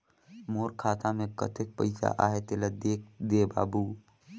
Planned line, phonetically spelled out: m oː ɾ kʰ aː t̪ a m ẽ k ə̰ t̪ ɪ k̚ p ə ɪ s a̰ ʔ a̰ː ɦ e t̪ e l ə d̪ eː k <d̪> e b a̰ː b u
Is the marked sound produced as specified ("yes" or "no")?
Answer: yes